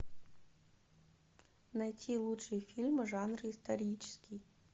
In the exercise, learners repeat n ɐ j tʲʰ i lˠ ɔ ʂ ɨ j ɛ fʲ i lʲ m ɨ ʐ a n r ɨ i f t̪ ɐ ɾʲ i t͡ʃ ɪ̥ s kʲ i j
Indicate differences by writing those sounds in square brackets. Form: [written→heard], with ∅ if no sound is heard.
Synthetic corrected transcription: n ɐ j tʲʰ i lˠ [ɔ→u] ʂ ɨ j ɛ fʲ i lʲ m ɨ ʐ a n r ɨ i [f→s] t̪ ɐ ɾʲ i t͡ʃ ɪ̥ s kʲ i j

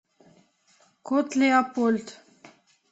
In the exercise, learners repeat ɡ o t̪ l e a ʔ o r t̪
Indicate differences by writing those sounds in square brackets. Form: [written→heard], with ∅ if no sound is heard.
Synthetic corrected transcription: [ɡ→k] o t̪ l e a [ʔ→p] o [r→l] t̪

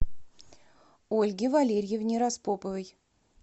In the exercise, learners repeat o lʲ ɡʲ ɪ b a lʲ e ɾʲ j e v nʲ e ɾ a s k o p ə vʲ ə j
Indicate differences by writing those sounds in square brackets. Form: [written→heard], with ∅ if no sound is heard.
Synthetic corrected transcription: o lʲ ɡʲ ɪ [b→v] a lʲ e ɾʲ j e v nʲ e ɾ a s [k→p] o p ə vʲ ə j

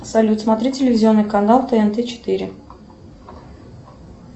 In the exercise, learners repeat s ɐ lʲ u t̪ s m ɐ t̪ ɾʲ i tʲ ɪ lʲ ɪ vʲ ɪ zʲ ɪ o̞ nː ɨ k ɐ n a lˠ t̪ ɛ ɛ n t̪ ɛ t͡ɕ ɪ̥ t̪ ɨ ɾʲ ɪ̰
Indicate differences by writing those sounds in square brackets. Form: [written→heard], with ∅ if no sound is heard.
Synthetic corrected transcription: s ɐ lʲ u t̪ s m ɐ t̪ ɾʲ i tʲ ɪ lʲ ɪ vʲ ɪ zʲ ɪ o̞ nː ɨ k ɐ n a lˠ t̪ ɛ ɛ n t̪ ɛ t͡ɕ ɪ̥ t̪ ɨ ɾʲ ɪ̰

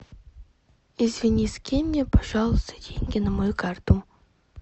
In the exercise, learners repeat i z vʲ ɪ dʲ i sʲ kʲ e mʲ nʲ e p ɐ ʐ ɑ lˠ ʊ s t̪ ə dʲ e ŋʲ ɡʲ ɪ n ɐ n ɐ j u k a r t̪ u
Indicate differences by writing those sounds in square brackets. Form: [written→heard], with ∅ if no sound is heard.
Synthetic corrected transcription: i z vʲ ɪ [dʲ→nʲ] i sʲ kʲ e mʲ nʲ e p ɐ ʐ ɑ lˠ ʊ s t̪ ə dʲ e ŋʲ ɡʲ ɪ n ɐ [n→m] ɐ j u k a r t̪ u

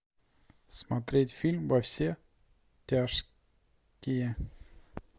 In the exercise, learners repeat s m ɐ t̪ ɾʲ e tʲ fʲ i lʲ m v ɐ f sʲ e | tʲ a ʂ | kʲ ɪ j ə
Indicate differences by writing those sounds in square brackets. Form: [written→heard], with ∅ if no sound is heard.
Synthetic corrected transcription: s m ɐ t̪ ɾʲ e tʲ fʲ i lʲ m v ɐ f sʲ e | tʲ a ʂ | kʲ ɪ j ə

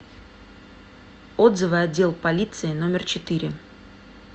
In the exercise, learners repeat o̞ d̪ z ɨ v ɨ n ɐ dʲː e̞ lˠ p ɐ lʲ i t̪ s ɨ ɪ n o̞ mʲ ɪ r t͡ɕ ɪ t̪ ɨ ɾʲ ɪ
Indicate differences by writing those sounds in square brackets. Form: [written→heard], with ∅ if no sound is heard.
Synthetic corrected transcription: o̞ d̪ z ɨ v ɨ [n→∅] ɐ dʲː e̞ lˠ p ɐ lʲ i t̪ s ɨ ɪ n o̞ mʲ ɪ r t͡ɕ ɪ t̪ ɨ ɾʲ ɪ

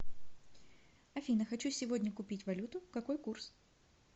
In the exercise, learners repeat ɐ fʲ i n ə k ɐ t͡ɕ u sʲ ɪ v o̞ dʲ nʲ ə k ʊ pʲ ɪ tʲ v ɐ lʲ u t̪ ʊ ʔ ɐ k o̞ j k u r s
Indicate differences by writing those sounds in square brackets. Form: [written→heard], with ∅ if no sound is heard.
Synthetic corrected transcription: ɐ fʲ i n ə [k→x] ɐ t͡ɕ u sʲ ɪ v o̞ dʲ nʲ ə k ʊ pʲ [ɪ→i] tʲ v ɐ lʲ u t̪ ʊ [ʔ→k] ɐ k o̞ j k u r s

